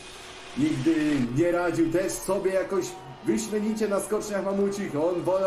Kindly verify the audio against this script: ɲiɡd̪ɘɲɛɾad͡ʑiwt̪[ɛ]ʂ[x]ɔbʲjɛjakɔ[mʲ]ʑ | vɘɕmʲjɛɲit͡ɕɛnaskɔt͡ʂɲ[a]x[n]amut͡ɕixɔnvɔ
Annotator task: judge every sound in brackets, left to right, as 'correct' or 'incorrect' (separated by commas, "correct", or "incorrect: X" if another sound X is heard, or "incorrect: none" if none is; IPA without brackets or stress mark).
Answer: correct, incorrect: s, incorrect: none, correct, incorrect: m